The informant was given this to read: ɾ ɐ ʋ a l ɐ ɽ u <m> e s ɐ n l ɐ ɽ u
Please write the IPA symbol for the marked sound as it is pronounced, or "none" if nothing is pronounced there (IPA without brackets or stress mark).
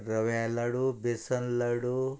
b